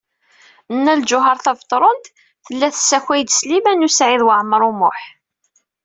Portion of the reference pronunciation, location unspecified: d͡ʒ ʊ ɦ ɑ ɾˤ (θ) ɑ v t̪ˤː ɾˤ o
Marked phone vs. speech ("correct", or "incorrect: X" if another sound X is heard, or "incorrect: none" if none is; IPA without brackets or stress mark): correct